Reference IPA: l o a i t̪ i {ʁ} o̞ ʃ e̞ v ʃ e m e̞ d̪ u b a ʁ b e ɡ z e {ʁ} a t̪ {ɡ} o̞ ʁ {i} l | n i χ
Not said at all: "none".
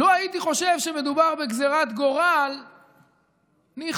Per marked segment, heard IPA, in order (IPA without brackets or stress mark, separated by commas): χ, ʁ, ɡ, a